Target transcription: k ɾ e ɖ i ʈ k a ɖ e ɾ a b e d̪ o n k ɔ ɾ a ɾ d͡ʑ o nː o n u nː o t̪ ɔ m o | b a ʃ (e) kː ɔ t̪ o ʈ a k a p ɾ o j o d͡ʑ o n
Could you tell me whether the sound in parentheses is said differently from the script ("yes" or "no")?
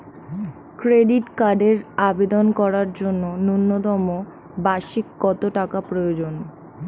yes